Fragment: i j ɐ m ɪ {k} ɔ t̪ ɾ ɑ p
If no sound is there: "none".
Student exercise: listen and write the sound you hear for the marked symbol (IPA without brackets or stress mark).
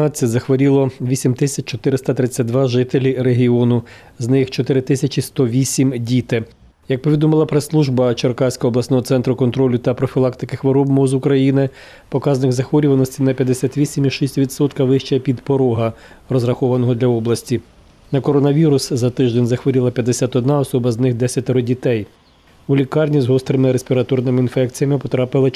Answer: p